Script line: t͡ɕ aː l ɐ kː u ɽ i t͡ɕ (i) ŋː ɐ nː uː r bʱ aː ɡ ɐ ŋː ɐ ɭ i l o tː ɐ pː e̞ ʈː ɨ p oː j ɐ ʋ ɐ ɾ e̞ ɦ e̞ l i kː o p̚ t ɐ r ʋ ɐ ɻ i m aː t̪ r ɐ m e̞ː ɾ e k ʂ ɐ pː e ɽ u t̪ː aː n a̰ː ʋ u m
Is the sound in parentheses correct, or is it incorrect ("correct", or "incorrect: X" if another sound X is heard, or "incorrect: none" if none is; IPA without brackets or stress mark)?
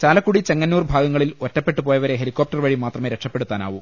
incorrect: e